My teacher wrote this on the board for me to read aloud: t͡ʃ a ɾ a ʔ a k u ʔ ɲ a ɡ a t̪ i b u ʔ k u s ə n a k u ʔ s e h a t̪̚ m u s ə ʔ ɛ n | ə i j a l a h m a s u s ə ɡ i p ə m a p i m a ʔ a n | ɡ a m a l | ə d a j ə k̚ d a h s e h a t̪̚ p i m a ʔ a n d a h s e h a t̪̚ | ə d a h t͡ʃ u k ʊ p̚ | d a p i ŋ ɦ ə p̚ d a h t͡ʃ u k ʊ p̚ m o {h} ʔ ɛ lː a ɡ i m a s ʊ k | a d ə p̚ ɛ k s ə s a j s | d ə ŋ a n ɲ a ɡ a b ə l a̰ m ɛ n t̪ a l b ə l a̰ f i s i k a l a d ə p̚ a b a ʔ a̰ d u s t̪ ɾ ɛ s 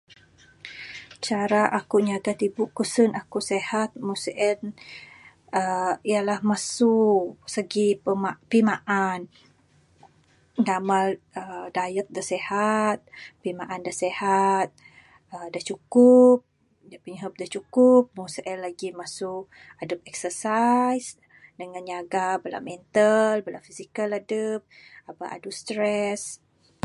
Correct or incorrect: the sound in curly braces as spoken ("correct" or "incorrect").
incorrect